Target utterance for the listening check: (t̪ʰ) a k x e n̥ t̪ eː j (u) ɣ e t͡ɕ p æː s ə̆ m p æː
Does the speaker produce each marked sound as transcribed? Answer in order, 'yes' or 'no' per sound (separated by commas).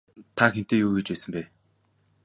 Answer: yes, no